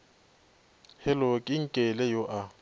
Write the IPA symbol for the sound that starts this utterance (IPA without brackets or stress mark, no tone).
h